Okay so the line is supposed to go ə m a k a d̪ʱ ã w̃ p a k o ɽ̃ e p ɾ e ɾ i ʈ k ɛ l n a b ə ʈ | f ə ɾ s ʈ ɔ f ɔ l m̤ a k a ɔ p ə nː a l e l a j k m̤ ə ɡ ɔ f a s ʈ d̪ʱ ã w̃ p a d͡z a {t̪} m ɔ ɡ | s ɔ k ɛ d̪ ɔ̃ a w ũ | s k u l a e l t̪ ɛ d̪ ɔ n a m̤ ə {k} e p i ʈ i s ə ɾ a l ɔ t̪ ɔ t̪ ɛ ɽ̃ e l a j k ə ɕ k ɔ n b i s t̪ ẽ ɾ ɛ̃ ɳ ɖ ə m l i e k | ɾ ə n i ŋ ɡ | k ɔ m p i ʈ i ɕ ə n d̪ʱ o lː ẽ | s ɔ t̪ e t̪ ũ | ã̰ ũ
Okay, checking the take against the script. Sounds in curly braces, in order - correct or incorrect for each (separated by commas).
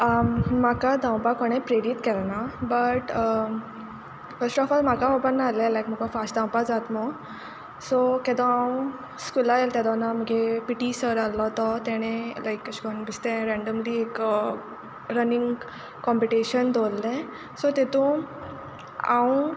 correct, incorrect